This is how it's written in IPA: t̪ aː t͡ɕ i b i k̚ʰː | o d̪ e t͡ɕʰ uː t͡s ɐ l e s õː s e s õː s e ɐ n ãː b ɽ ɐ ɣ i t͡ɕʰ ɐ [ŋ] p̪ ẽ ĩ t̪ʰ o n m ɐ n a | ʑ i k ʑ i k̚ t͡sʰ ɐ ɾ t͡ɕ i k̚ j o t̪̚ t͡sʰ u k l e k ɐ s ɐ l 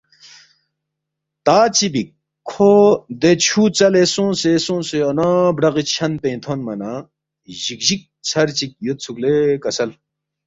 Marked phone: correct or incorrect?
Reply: incorrect